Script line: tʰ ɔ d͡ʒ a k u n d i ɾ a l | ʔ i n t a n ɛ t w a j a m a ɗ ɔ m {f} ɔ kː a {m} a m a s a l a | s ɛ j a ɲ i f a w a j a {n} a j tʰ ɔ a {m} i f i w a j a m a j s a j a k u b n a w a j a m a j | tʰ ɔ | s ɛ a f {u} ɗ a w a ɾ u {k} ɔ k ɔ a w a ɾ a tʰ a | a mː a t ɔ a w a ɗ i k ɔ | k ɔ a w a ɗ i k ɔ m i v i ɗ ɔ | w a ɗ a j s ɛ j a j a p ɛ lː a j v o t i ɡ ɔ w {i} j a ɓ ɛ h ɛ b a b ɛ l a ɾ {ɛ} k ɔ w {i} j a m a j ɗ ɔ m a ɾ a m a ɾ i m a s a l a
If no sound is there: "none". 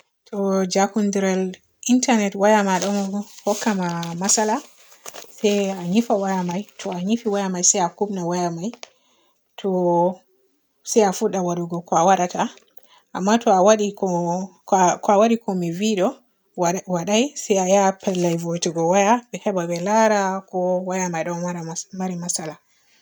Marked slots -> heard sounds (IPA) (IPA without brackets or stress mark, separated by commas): h, m, m, ɲ, u, ɡ, a, a, a